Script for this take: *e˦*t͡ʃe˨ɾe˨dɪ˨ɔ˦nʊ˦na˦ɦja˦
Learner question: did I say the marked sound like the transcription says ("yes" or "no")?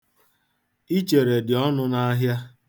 no